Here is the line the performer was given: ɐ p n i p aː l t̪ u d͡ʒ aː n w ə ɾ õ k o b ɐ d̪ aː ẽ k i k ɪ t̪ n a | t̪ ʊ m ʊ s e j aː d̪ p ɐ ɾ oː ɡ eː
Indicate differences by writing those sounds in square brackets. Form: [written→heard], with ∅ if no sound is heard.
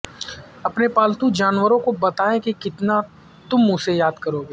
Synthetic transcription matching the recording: ɐ p n [i→e] p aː l t̪ u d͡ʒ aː n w ə ɾ õ k o b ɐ [d̪→t̪] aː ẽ k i k ɪ t̪ n a | t̪ ʊ m ʊ s e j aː d̪ [p→k] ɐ ɾ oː ɡ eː